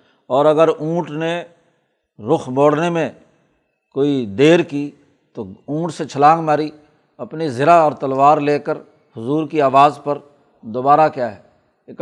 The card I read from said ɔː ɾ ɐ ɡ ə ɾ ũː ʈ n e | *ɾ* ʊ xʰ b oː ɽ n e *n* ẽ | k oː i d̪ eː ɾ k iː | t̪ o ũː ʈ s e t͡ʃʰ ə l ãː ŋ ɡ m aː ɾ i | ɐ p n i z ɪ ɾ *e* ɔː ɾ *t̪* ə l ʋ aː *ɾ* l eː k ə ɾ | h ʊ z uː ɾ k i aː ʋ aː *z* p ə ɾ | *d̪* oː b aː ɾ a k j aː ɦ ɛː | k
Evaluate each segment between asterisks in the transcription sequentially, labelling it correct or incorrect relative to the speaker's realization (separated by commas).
correct, incorrect, incorrect, correct, correct, correct, correct